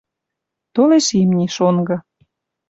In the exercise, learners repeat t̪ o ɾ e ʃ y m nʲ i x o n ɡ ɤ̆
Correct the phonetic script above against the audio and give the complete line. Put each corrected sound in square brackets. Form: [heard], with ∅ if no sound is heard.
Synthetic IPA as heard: t̪ o [l] e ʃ [i] m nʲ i [ʃ] o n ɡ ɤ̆